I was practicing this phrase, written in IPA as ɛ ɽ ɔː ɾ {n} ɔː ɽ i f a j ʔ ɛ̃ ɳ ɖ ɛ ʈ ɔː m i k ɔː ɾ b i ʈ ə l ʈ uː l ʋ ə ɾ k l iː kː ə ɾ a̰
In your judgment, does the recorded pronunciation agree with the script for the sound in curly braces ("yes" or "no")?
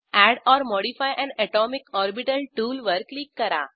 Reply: no